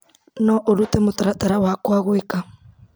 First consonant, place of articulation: alveolar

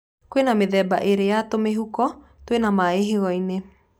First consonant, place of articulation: velar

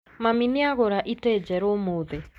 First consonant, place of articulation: labial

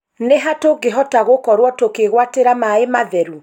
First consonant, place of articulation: alveolar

